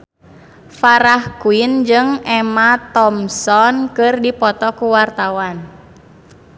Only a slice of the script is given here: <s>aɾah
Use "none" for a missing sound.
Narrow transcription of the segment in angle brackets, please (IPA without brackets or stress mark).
f